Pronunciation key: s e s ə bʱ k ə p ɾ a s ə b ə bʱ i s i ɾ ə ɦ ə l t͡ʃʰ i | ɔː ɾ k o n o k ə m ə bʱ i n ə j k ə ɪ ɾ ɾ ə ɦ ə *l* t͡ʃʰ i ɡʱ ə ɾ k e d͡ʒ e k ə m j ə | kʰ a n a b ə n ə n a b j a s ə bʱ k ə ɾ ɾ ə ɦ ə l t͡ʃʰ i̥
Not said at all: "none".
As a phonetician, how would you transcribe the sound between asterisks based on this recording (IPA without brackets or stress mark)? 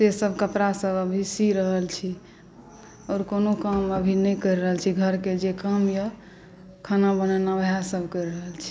l